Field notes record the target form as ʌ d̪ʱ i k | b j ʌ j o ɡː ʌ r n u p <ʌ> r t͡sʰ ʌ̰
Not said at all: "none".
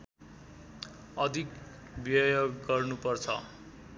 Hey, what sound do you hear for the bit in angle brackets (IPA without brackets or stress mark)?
ʌ